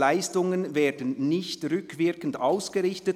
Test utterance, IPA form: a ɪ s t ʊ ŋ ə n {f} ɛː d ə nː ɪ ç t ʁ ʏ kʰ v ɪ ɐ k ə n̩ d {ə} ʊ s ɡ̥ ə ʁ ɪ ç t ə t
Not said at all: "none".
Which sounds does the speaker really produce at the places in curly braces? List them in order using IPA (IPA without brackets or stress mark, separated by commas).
v, a